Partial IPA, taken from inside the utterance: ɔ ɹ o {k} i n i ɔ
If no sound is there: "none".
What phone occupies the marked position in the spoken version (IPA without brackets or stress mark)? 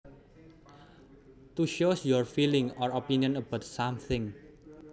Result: p